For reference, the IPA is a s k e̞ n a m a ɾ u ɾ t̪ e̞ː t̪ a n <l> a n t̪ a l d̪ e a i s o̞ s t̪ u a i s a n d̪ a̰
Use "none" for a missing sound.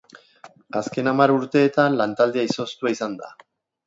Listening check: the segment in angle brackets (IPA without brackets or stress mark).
l